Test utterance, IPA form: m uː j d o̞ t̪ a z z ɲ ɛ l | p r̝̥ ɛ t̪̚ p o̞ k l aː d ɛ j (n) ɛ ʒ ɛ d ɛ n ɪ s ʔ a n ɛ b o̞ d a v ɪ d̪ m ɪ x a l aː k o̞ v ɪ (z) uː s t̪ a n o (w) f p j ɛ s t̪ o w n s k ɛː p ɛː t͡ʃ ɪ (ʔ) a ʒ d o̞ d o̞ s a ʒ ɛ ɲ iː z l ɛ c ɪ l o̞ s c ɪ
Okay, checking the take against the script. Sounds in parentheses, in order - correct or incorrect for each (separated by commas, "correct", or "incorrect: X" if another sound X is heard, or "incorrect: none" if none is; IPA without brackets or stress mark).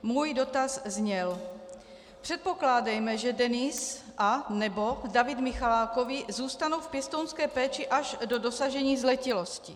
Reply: incorrect: m, correct, correct, correct